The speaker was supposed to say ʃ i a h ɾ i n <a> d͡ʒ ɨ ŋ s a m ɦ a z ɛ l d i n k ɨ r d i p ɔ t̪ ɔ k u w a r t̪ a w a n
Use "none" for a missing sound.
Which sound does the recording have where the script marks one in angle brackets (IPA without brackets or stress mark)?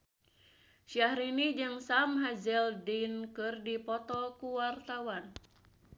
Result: i